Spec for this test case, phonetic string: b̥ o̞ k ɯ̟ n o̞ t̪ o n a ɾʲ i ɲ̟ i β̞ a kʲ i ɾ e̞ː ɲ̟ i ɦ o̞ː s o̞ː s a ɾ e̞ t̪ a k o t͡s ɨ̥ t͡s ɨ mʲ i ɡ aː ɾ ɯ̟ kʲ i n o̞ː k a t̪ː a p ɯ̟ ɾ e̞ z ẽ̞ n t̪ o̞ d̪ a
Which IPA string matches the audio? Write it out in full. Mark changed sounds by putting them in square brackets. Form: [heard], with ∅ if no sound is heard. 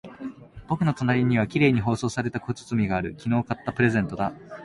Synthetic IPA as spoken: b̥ o̞ k ɯ̟ n o̞ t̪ o n a ɾʲ i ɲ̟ i β̞ a kʲ i ɾ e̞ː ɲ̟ i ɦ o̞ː s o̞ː s a ɾ e̞ t̪ a k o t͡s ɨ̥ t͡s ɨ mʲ i ɡ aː ɾ ɯ̟ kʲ i n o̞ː k a t̪ː a p ɯ̟ ɾ e̞ z ẽ̞ n t̪ o̞ d̪ a